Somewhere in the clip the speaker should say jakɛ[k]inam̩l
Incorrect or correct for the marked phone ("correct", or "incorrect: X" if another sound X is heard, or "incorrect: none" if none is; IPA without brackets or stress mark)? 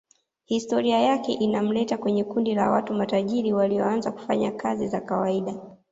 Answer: incorrect: ʔ